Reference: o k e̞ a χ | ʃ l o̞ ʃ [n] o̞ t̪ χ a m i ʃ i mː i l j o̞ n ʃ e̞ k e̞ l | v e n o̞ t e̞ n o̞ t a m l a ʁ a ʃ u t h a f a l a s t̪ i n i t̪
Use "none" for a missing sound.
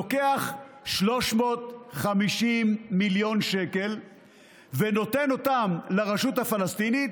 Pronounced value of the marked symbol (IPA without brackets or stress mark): m